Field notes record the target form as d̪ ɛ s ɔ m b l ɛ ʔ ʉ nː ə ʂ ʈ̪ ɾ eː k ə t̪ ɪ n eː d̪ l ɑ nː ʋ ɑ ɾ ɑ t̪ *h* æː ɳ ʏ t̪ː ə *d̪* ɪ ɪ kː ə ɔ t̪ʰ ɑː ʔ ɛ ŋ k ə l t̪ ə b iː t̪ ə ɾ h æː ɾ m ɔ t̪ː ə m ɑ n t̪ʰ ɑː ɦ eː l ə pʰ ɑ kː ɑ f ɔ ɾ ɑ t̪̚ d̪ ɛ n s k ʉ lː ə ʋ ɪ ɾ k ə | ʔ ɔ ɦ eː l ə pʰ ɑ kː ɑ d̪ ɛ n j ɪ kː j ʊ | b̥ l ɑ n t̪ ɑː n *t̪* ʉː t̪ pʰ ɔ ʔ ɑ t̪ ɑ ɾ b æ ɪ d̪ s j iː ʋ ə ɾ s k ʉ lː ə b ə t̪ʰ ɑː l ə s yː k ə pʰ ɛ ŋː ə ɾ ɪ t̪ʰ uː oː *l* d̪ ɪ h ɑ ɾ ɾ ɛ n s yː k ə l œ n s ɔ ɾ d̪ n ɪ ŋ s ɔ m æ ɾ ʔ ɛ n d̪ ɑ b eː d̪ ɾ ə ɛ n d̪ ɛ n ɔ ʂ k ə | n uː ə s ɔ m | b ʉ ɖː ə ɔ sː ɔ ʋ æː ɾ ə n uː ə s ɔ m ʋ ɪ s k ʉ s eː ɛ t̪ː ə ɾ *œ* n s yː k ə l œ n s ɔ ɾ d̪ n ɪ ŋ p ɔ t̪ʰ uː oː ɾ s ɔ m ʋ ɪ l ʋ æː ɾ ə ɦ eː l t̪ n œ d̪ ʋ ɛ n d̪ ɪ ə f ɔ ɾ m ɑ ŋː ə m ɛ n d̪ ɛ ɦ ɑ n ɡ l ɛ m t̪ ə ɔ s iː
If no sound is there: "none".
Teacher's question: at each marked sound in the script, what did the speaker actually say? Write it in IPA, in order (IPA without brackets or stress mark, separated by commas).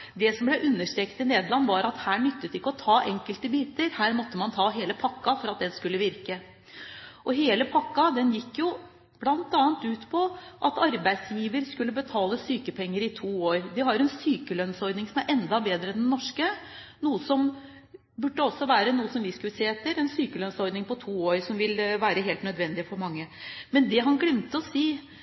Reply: h, t̪, t̪, ɾ, ɛ